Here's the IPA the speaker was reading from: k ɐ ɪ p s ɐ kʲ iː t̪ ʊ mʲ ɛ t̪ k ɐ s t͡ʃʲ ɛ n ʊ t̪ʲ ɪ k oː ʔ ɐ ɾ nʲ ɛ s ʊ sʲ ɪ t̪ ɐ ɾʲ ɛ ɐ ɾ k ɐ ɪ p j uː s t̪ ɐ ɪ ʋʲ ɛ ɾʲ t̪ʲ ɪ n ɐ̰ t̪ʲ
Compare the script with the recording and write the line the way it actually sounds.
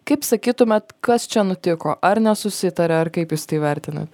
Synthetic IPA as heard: k ɐ ɪ p s ɐ kʲ iː t̪ ʊ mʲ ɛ t̪ k ɐ s t͡ʃʲ ɛ n ʊ t̪ʲ ɪ k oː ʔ ɐ ɾ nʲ ɛ s ʊ sʲ ɪ t̪ ɐ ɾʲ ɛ ɐ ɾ k ɐ ɪ p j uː s t̪ ɐ ɪ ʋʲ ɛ ɾʲ t̪ʲ ɪ n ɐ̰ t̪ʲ